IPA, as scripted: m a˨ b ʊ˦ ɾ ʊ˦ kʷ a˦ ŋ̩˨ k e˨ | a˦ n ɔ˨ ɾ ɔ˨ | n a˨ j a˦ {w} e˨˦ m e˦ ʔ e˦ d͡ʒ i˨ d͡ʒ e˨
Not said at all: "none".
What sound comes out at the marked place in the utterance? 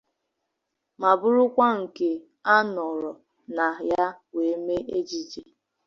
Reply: w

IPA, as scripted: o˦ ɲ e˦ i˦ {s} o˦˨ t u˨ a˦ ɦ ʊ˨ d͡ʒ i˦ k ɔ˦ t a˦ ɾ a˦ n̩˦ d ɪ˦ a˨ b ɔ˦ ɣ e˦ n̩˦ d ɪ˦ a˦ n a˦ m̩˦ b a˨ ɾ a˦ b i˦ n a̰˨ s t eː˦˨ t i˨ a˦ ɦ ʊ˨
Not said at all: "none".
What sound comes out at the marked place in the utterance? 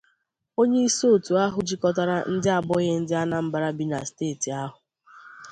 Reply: s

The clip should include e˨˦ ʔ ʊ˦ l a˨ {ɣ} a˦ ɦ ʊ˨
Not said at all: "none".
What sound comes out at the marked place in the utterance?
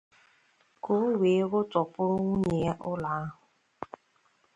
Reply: none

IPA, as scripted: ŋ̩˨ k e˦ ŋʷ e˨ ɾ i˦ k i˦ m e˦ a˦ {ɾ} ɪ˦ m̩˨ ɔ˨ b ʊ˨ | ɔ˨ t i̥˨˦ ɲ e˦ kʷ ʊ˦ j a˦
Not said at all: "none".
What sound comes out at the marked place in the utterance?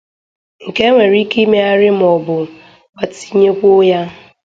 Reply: ɾ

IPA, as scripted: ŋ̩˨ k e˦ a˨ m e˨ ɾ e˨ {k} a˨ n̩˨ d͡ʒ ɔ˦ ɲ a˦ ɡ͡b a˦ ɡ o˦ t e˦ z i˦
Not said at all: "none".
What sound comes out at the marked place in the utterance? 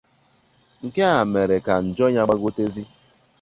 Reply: k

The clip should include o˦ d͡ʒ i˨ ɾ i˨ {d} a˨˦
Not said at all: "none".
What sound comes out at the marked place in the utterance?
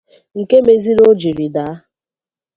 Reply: d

